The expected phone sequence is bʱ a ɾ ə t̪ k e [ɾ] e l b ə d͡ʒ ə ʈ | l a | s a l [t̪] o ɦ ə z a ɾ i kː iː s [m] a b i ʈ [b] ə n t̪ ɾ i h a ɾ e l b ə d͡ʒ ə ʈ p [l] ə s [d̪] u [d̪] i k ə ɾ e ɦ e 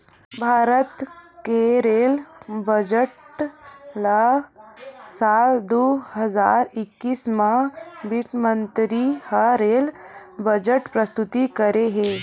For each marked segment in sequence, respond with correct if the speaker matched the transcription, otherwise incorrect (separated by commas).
correct, incorrect, correct, incorrect, incorrect, incorrect, incorrect